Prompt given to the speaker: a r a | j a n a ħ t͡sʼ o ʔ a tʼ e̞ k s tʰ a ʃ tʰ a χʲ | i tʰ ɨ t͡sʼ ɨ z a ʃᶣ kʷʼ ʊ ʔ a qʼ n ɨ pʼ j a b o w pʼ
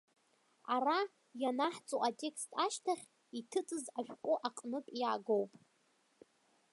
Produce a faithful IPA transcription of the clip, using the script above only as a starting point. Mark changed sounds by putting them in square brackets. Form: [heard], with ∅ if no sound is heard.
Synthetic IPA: a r a | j a n a ħ t͡sʼ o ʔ a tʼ e̞ k s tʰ a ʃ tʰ a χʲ | i tʰ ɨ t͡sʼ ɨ z a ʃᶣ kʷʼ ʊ ʔ a qʼ n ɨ pʼ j a [ɡ] o w pʼ